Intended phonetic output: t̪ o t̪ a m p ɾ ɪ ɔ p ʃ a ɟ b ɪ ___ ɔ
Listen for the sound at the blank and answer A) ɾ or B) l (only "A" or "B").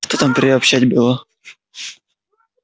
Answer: B